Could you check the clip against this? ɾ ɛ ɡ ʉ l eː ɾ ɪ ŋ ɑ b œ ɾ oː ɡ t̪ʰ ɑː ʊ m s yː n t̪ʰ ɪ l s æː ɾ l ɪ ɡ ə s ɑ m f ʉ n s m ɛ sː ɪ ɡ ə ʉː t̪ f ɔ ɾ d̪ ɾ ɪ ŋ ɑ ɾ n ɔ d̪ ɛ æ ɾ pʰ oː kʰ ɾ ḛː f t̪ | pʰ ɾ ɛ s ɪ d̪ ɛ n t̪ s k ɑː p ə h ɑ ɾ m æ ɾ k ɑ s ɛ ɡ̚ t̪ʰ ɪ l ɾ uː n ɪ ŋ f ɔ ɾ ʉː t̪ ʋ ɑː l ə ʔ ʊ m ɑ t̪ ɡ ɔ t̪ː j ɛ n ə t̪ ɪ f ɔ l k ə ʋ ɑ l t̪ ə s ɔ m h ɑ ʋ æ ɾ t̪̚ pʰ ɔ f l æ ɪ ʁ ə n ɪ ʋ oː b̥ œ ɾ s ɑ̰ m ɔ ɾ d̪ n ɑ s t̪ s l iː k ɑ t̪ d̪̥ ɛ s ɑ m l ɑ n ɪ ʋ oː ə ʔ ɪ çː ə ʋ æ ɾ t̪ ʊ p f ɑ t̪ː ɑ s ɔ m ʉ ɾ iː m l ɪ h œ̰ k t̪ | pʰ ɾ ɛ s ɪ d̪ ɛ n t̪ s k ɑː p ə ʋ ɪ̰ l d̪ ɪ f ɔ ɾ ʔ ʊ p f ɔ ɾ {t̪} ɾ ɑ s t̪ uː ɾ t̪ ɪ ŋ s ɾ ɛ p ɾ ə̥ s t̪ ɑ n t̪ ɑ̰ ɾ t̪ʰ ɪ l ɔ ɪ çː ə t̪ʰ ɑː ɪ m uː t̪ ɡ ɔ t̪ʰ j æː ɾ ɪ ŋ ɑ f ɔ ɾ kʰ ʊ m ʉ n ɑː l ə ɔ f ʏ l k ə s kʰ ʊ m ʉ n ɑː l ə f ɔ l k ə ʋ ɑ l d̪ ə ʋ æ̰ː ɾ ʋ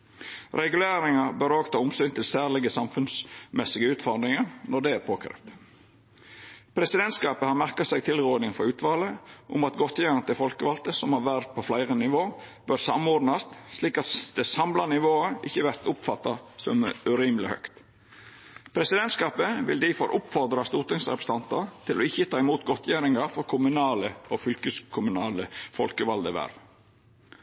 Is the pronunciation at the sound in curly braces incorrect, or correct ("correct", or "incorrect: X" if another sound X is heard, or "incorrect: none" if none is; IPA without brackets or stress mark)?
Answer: incorrect: d̪